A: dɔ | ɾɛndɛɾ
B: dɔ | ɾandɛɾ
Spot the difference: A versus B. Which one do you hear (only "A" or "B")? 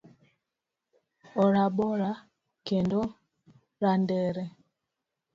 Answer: B